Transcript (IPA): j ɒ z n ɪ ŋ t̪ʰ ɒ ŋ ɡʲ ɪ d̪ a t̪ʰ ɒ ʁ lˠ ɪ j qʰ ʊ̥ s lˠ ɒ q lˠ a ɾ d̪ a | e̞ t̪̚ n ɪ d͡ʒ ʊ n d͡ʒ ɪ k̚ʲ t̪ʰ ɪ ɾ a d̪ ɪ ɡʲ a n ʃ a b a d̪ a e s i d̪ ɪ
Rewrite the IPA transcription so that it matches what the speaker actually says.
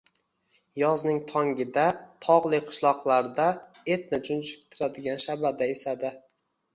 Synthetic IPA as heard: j ɒ z n ɪ ŋ t̪ʰ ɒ ŋ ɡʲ ɪ d̪ a t̪ʰ ɒ ʁ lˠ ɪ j qʰ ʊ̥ ʃ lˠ ɒ q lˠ a ɾ d̪ a | e̞ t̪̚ n ɪ d͡ʒ ʊ n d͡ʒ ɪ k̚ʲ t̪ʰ ɪ ɾ a d̪ ɪ ɡʲ a n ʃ a b a d̪ a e s a d̪ ɪ